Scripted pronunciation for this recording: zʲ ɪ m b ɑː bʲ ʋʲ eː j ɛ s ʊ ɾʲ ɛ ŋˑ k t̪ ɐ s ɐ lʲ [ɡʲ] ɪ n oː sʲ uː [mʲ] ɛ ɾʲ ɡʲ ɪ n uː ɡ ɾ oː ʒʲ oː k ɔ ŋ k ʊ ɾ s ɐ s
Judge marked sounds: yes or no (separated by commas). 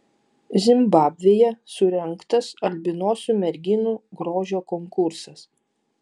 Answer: no, yes